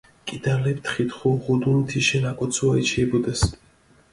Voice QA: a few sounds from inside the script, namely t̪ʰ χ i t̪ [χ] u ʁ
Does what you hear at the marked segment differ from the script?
no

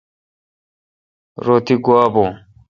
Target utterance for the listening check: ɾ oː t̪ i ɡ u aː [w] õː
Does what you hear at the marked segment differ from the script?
yes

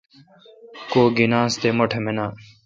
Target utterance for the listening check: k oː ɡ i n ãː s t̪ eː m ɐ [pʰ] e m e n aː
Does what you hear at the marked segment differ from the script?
yes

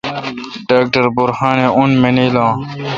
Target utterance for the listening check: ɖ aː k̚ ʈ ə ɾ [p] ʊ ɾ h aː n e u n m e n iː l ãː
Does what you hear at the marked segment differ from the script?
yes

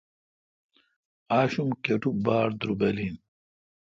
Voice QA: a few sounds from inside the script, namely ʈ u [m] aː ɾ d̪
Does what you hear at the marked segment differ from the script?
yes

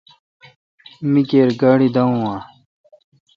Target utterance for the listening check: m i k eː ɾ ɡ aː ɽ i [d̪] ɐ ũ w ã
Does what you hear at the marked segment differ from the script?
no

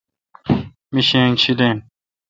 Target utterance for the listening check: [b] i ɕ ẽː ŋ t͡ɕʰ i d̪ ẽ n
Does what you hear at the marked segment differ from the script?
yes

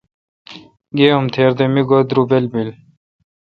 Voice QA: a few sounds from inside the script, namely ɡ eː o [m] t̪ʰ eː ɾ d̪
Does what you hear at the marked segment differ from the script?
no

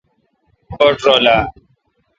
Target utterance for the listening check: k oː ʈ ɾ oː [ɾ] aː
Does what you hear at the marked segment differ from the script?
yes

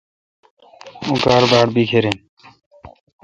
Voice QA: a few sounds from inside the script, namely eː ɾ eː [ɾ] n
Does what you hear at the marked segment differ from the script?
yes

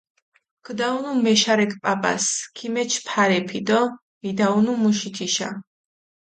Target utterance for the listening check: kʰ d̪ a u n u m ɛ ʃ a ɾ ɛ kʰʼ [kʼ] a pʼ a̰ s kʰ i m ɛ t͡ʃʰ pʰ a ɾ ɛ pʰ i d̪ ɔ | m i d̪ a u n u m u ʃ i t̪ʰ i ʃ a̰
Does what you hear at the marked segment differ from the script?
yes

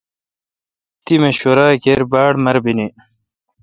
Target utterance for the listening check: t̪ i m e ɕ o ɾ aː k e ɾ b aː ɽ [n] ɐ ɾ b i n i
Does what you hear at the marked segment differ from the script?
yes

